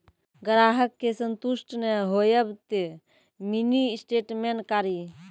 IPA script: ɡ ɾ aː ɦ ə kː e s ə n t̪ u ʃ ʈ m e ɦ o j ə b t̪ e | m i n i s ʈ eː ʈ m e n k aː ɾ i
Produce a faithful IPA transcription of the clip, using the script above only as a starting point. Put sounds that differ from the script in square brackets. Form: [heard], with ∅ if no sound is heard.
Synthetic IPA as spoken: ɡ ɾ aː ɦ ə kː e s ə n t̪ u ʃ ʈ [n] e ɦ o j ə b t̪ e | m i n i s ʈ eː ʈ m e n k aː ɾ i